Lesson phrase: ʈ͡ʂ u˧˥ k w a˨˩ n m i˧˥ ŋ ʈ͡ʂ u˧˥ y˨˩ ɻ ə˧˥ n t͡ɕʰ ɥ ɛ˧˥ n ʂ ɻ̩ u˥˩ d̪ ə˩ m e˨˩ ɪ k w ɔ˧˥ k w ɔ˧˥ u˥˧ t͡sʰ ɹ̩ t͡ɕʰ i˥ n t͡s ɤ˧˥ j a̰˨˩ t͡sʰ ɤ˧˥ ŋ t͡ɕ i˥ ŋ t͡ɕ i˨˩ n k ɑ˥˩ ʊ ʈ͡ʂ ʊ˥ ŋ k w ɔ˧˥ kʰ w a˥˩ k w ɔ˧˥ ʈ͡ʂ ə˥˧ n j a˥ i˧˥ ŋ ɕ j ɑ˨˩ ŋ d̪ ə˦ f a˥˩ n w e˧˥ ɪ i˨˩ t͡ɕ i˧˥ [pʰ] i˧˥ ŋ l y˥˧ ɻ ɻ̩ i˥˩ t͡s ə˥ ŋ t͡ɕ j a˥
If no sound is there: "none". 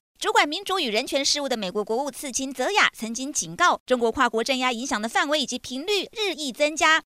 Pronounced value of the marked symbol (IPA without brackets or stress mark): pʰ